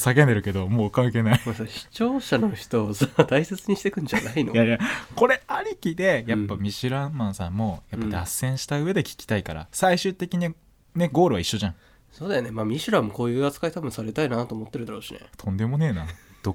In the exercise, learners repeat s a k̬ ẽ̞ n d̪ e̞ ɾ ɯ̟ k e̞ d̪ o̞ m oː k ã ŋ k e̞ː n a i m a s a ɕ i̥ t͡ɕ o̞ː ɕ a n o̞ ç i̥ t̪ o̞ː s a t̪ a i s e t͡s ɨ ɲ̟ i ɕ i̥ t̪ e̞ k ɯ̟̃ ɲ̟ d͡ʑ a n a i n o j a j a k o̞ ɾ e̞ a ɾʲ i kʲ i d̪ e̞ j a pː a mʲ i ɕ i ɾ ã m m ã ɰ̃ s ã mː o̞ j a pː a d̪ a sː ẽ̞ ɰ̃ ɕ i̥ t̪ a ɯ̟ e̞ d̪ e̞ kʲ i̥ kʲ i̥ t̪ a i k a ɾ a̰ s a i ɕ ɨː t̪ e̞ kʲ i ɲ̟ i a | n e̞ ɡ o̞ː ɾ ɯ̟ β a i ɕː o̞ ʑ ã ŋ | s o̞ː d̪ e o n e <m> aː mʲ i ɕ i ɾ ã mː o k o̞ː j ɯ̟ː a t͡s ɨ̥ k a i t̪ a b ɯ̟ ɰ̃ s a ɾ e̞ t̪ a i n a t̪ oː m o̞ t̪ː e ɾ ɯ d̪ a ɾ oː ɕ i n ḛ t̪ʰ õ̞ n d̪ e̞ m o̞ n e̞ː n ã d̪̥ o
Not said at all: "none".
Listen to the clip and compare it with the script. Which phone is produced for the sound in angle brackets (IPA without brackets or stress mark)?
m